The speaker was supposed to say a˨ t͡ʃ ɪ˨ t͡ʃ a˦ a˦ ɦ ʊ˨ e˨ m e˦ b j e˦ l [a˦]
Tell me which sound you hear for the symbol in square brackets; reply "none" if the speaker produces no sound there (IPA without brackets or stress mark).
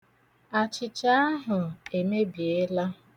a˦